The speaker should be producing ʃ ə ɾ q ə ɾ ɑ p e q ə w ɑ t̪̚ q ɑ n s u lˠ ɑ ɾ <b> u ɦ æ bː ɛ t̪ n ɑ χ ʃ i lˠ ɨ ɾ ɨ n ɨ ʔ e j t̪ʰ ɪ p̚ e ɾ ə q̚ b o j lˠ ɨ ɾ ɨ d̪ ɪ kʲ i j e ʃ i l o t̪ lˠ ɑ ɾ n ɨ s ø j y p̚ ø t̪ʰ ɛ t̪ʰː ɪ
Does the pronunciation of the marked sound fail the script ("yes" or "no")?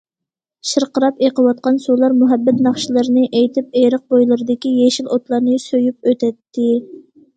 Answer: yes